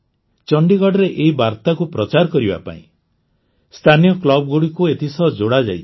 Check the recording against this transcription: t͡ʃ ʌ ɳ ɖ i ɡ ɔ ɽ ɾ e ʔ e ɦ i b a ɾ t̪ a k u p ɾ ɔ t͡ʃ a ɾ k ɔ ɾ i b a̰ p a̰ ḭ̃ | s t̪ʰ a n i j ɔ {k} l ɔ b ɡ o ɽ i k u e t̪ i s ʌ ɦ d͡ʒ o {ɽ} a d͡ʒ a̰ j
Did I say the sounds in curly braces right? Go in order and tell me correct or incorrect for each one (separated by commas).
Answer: correct, correct